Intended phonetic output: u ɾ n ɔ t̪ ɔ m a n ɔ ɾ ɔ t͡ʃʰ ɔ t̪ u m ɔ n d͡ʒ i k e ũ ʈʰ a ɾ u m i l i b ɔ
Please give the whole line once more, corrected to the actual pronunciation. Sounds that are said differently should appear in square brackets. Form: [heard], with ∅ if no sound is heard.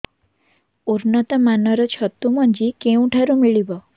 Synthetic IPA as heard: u ɾ n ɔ t̪ ɔ m a n ɔ ɾ ɔ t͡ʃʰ ɔ t̪ u m ɔ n d͡ʒ i k e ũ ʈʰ a ɾ u m i [ɭ] i b ɔ

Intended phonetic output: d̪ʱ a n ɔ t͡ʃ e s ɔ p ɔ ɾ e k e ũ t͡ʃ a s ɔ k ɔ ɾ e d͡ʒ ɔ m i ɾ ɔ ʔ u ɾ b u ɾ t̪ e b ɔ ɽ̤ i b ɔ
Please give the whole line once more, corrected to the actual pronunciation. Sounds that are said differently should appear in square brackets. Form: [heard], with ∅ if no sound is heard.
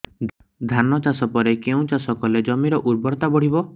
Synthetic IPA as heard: d̪ʱ a n ɔ t͡ʃ [a] s ɔ p ɔ ɾ e k e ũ t͡ʃ a s ɔ k ɔ [l] e d͡ʒ ɔ m i ɾ ɔ ʔ u ɾ b [ɔ] ɾ t̪ [a] b ɔ ɽ̤ i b ɔ

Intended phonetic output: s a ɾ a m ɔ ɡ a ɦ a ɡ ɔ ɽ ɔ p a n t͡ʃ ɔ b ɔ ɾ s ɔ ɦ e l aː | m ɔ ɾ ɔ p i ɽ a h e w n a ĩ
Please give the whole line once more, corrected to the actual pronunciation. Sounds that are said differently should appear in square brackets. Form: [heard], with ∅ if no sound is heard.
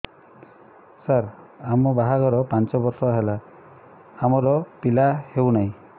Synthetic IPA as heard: s a ɾ a m ɔ [b] a ɦ a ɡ ɔ [ɾ] ɔ p a n t͡ʃ ɔ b ɔ ɾ s ɔ ɦ e l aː | m ɔ ɾ ɔ p i [l] a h e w n a ĩ

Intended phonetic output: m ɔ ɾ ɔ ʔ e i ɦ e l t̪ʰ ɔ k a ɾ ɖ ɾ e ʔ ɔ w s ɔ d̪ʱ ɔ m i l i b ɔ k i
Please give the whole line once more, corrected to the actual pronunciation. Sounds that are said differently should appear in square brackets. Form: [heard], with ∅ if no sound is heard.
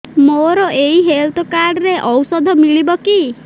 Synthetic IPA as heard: m [o] ɾ ɔ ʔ e i ɦ e l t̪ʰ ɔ k a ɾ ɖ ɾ e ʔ ɔ w s ɔ d̪ʱ ɔ m i [ɭ] i b ɔ k i

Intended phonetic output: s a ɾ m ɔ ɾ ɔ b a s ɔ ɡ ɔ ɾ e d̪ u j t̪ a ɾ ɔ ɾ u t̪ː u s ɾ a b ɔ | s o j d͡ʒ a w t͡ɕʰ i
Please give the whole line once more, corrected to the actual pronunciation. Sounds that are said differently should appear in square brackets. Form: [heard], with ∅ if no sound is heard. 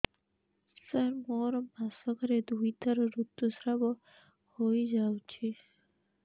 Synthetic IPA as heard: s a ɾ m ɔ ɾ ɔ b a s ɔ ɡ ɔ ɾ e d̪ u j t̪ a ɾ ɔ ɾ u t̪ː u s ɾ a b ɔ | [h] o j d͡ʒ a w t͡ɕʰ i

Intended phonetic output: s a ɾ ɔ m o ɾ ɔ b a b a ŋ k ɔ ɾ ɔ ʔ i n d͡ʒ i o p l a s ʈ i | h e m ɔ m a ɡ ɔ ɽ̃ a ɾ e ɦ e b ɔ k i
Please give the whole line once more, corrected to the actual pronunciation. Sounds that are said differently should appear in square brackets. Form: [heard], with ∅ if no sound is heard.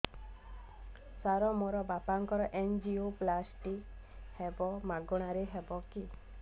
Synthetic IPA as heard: s a ɾ ɔ m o ɾ ɔ b a [p] a ŋ k ɔ ɾ ɔ ʔ [e] n d͡ʒ i o p l a s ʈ i | h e [b] ɔ m a ɡ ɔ ɽ̃ a ɾ e ɦ e b ɔ k i

